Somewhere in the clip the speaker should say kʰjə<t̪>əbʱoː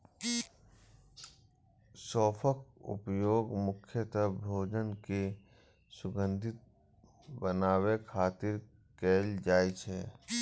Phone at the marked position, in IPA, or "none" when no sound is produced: t̪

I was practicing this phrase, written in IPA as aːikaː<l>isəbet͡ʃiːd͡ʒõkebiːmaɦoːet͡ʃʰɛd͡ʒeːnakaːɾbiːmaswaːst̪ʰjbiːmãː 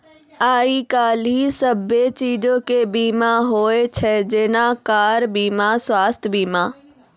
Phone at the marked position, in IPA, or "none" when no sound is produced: l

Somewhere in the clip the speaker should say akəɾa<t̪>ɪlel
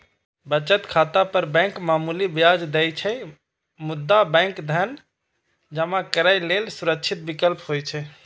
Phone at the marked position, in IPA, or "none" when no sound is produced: none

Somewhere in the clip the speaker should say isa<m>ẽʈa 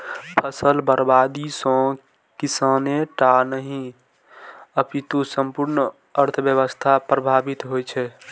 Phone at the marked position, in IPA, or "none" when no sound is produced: n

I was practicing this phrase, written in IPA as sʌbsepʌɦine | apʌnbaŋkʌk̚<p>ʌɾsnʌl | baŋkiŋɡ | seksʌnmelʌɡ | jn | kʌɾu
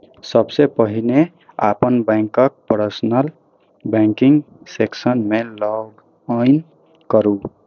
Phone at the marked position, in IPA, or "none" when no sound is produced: p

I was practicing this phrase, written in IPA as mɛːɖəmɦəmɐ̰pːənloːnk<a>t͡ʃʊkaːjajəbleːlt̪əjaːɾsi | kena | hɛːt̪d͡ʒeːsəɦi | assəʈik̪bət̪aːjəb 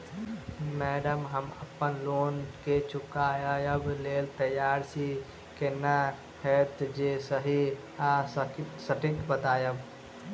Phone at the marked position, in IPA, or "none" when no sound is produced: e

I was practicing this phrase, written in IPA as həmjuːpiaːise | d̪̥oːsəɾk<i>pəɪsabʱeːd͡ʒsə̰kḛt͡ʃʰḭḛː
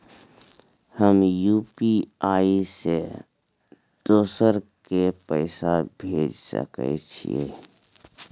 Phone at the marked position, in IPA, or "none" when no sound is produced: e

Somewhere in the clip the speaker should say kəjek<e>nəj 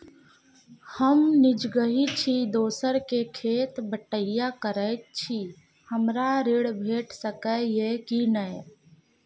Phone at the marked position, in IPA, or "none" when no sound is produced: i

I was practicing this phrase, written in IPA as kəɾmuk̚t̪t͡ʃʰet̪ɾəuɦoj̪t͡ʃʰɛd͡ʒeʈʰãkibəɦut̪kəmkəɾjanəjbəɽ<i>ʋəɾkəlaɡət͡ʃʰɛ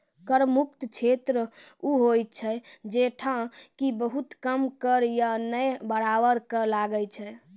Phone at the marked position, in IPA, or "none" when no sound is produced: a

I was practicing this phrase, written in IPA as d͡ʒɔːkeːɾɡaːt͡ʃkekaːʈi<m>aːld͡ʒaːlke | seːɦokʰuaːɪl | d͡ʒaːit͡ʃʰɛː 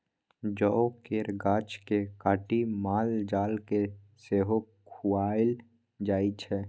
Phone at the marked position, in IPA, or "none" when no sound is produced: m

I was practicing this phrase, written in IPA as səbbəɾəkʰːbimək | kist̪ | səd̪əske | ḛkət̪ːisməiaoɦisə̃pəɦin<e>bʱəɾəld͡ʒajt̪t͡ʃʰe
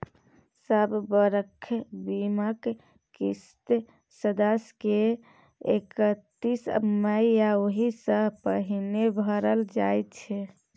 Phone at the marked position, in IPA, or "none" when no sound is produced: e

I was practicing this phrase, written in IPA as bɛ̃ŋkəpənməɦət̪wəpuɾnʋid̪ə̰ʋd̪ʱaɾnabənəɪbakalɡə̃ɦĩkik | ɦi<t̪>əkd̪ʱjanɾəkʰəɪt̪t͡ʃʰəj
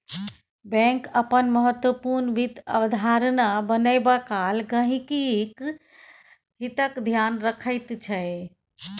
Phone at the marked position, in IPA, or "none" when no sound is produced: t̪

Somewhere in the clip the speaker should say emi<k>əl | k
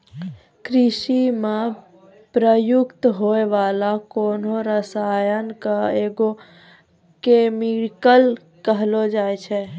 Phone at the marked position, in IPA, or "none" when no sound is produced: k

